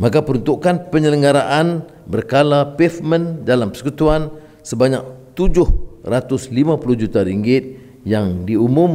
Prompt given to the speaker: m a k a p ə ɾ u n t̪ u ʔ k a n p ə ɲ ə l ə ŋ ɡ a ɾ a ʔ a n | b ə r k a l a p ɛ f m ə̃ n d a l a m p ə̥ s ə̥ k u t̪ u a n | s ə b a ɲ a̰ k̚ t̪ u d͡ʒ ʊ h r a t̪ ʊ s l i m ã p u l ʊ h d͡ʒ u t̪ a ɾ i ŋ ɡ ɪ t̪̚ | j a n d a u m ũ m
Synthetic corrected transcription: m a k a p ə ɾ u n t̪ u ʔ k a n p ə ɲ ə l ə ŋ ɡ a ɾ a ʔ a n | b ə r k a l a p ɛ f m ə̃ n d a l a m p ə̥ s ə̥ k u t̪ u a n | s ə b a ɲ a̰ k̚ t̪ u d͡ʒ ʊ h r a t̪ ʊ s l i m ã p u l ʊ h d͡ʒ u t̪ a ɾ i ŋ ɡ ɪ t̪̚ | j a ŋ d i u m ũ m

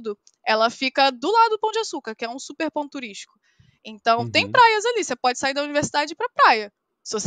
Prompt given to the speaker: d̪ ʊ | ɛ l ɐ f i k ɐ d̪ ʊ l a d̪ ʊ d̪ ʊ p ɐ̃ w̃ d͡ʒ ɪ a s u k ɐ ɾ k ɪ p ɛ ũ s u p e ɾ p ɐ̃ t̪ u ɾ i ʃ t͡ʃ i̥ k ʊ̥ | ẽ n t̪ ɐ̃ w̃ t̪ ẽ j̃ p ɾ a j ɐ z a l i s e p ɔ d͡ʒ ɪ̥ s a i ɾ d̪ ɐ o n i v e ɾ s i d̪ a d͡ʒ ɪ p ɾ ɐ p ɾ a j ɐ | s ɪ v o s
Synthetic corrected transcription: d̪ ʊ | ɛ l ɐ f i k ɐ d̪ ʊ l a d̪ ʊ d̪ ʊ p ɐ̃ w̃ d͡ʒ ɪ a s u k ɐ ɾ k ɪ ɛ ũ s u p e ɾ p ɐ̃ t̪ u ɾ i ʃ t͡ʃ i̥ k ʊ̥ | ẽ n t̪ ɐ̃ w̃ t̪ ẽ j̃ p ɾ a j ɐ z a l i s e p ɔ d͡ʒ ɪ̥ s a i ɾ d̪ ɐ u n i v e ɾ s i d̪ a d͡ʒ ɪ p ɾ ɐ p ɾ a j ɐ | s ɪ v o s

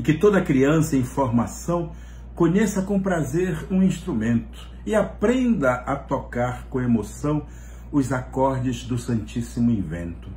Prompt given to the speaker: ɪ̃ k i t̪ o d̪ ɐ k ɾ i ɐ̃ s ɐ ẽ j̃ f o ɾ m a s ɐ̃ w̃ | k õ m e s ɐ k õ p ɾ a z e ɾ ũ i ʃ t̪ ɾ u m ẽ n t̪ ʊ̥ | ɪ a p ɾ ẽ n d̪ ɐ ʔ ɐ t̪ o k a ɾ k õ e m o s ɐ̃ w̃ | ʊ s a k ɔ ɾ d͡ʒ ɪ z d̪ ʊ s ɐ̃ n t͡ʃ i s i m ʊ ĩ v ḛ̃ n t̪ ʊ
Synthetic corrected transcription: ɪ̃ k ɪ t̪ o d̪ ɐ k ɾ i ɐ̃ s ɐ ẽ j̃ f o ɾ m a s ɐ̃ w̃ | k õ ɲ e s ɐ k õ p ɾ a z e ɾ ũ ĩ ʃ t̪ ɾ u m ẽ n t̪ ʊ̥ | ɪ a p ɾ ẽ n d̪ ɐ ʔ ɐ t̪ o k a ɾ k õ e m o s ɐ̃ w̃ | ʊ z a k ɔ ɾ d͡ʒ ɪ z d̪ ʊ s ɐ̃ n t͡ʃ i s i m ʊ ĩ v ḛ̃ n t̪ ʊ

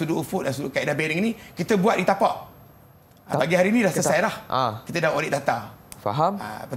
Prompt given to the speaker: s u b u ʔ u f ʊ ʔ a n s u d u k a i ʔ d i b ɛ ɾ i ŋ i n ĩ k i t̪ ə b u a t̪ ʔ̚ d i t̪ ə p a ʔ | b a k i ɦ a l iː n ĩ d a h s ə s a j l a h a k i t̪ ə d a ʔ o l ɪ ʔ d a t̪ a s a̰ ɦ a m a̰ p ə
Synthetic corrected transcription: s u d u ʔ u f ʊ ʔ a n s u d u k a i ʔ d a b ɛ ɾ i ŋ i n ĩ k i t̪ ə b u a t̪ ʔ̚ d i t̪ a p a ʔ | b a ɡ i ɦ a ɾ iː n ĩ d a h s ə s a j l a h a k i t̪ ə d a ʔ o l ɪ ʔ d a t̪ a f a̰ ɦ a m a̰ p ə

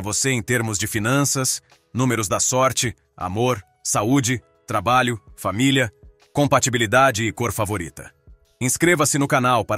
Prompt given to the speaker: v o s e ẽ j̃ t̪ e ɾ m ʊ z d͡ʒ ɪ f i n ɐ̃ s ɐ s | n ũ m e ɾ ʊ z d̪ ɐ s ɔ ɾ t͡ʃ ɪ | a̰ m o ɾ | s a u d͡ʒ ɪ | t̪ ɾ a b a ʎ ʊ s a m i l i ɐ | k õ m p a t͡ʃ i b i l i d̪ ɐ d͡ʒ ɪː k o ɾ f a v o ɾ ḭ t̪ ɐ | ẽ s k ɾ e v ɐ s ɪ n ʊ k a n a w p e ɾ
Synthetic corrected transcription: v o s e ẽ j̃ t̪ e ɾ m ʊ z d͡ʒ ɪ f i n ɐ̃ s ɐ s | n ũ m e ɾ ʊ z d̪ ɐ s ɔ ɾ t͡ʃ ɪ | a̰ m o ɾ | s a u d͡ʒ ɪ | t̪ ɾ a b a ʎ ʊ f a m i l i ɐ | k õ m p a t͡ʃ i b i l i d̪ a d͡ʒ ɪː k o ɾ f a v o ɾ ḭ t̪ ɐ | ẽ s k ɾ e v ɐ s ɪ n ʊ k a n a w p a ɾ

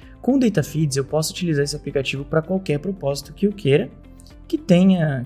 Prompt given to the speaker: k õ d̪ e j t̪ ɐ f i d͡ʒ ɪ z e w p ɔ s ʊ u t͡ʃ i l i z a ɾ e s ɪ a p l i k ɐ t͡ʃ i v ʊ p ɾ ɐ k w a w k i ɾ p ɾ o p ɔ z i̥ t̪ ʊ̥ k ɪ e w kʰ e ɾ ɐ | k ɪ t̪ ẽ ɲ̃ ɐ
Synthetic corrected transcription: k õ d̪ e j t̪ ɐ f i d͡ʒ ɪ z e w p ɔ s ʊ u t͡ʃ i l i z a ɾ e s ɪ a p l i k a t͡ʃ i v ʊ p ɾ ɐ k w a w k ɛ ɾ p ɾ o p ɔ z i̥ t̪ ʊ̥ k ɪ e w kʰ e ɾ ɐ | k ɪ t̪ ẽ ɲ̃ ɐ

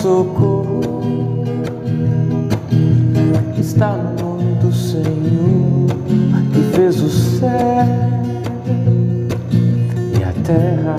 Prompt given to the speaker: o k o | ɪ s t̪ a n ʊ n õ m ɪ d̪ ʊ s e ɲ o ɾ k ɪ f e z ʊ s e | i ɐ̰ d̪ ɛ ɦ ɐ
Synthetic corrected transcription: o k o | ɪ s t̪ a n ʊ n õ m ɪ d̪ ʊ s e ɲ o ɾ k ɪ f e z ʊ s ɛ | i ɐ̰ t̪ ɛ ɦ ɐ

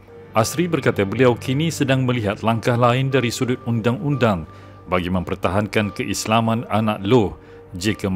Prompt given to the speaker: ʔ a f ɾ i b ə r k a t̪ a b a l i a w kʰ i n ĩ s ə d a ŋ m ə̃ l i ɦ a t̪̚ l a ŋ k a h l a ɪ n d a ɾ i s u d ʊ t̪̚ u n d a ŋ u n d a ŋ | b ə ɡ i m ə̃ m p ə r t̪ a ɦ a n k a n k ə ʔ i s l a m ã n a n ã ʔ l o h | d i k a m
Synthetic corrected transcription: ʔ a s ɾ i b ə r k a t̪ a b ə l i a w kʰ i n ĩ s ə d a ŋ m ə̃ l i ɦ a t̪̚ l a ŋ k a h l a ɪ n d a ɾ i s u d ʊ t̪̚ u n d a ŋ u n d a ŋ | b a ɡ i m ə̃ m p ə r t̪ a ɦ a n k a n k ə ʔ i s l a m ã n a n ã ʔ l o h | d͡ʒ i k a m

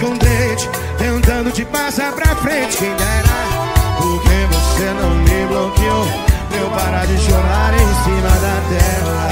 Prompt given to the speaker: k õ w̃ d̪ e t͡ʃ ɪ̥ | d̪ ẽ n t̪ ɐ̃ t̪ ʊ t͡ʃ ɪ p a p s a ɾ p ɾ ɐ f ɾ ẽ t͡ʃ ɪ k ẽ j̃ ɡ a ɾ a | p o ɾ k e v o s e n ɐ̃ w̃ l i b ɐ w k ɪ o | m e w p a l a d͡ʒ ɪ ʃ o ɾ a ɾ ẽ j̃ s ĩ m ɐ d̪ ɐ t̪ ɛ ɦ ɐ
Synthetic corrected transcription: k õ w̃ d̪ e t͡ʃ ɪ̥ | t̪ ẽ n t̪ ɐ̃ d̪ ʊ t͡ʃ ɪ p a s a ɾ p ɾ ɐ f ɾ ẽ t͡ʃ ɪ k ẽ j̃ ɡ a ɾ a | p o ɾ k e v o s e n ɐ̃ w̃ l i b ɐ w k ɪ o | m e w p a ɾ a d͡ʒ ɪ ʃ o ɾ a ɾ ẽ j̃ s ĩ m ɐ d̪ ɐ t̪ ɛ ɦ ɐ

